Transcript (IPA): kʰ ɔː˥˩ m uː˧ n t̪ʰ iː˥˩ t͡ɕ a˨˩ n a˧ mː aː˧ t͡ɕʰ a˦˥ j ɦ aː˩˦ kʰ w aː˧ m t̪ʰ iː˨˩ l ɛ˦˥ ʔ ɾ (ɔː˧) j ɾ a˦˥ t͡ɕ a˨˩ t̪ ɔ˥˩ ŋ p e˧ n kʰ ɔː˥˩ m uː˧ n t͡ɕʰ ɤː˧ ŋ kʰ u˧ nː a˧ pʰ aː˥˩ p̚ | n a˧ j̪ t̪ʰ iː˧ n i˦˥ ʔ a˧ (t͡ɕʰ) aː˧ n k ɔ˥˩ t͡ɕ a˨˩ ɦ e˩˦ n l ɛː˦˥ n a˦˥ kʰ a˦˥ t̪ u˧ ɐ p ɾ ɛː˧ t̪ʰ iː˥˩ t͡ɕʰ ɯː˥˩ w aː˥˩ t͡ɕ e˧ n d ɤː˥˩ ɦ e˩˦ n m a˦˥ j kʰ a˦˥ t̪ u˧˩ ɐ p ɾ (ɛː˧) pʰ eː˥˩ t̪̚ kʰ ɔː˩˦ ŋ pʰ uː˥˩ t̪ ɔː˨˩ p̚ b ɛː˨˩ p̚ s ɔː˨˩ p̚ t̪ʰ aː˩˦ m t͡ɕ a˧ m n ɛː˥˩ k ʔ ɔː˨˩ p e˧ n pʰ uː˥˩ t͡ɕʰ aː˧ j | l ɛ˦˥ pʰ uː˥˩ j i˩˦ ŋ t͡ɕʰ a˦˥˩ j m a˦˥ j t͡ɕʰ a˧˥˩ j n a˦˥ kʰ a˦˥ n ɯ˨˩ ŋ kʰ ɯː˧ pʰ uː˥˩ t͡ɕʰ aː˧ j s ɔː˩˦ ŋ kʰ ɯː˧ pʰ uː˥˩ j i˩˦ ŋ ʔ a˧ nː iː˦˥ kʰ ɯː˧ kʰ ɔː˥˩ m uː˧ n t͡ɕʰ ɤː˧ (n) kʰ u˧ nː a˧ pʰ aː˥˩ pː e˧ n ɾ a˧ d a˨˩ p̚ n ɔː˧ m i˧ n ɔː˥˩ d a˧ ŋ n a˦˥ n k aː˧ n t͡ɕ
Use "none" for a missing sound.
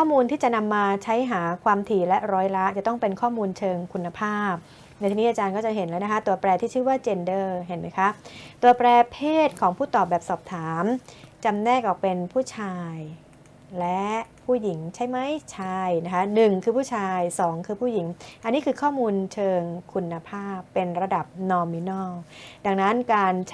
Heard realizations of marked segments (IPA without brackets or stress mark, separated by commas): ɔː˦˥, t͡ɕ, ɛː˧, ŋ